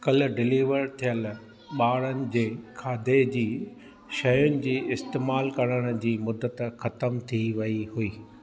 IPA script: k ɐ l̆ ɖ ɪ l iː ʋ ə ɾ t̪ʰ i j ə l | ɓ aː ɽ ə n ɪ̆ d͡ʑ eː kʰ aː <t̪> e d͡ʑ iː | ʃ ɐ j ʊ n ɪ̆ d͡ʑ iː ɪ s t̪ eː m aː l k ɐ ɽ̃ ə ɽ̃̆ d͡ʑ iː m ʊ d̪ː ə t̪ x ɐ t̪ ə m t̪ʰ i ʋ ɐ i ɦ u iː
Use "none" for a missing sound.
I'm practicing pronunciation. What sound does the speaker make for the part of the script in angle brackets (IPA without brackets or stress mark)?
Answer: d̪